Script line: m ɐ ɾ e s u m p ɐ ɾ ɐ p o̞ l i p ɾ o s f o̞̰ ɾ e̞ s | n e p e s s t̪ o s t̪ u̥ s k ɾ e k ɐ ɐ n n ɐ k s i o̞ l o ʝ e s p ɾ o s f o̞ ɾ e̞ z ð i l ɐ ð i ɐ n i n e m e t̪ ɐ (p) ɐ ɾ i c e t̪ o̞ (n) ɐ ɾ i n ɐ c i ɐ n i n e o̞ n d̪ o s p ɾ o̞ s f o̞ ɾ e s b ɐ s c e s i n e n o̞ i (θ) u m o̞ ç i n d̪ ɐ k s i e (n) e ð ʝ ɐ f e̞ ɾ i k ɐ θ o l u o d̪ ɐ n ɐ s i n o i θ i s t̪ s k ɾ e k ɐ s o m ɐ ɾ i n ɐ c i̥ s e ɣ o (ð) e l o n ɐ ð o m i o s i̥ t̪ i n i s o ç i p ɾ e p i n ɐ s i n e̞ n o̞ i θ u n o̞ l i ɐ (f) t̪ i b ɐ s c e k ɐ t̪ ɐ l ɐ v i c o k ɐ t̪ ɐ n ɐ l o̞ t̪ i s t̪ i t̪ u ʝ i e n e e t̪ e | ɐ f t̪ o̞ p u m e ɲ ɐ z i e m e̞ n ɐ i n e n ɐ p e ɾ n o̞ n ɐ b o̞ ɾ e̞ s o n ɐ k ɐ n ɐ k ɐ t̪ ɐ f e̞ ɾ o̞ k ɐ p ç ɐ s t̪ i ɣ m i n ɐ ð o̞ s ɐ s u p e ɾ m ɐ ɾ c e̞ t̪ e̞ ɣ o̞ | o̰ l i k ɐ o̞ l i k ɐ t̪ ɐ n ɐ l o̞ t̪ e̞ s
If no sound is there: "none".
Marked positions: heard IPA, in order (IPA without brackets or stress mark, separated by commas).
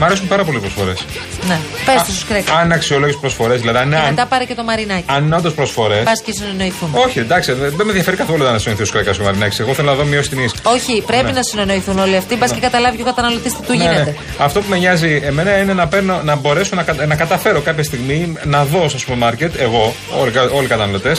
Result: p, m, θ, m, θ, f